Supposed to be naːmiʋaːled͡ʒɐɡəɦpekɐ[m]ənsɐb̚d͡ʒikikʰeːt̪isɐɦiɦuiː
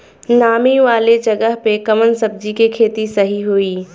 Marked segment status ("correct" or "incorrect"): correct